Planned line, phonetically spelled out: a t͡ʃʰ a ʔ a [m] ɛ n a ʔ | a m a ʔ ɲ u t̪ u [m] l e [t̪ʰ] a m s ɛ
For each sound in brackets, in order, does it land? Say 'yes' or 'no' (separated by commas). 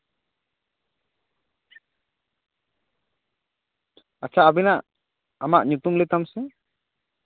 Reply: no, yes, no